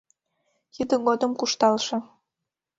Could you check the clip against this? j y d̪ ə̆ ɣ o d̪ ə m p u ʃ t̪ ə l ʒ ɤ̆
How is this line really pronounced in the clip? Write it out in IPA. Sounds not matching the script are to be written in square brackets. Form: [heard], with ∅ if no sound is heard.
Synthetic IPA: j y d̪ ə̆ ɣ o d̪ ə m [k] u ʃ t̪ [ɑ] l [ʃ] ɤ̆